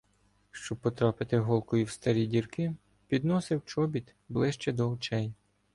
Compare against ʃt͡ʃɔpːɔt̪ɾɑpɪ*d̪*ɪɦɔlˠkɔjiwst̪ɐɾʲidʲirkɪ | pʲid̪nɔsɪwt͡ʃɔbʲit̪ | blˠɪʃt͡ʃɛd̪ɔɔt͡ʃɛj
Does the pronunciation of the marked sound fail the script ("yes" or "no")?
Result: yes